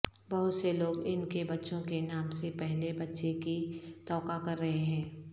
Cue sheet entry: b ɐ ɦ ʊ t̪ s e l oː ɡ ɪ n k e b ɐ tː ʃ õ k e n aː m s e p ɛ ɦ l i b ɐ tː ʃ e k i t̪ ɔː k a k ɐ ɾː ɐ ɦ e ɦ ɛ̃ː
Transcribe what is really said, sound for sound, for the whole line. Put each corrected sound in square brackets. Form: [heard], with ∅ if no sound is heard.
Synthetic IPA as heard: b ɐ ɦ ʊ t̪ s e l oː ɡ ɪ n k e b ɐ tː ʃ õ k e n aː m s e p ɛ ɦ l [e] b ɐ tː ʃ e k i t̪ ɔː k a k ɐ ɾː ɐ ɦ e ɦ ɛ̃ː